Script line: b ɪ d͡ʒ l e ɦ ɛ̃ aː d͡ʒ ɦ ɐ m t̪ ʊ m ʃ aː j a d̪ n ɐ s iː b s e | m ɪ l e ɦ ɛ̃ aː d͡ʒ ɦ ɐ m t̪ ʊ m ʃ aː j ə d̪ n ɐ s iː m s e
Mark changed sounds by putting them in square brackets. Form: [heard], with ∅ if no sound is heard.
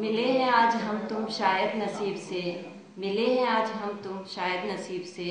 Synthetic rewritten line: [m] ɪ [∅] l e ɦ ɛ̃ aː d͡ʒ ɦ ɐ m t̪ ʊ m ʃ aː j [ə] d̪ n ɐ s iː b s e | m ɪ l e ɦ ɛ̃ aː d͡ʒ ɦ ɐ m t̪ ʊ m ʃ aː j ə d̪ n ɐ s iː [b] s e